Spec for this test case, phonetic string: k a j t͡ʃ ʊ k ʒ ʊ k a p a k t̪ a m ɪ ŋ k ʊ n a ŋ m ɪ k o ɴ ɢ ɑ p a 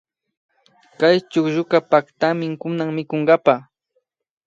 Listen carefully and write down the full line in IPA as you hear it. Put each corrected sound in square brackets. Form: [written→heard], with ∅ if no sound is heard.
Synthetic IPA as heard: k a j t͡ʃ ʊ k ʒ ʊ k a p a k t̪ a m ɪ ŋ k ʊ n a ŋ m ɪ k o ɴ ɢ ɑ p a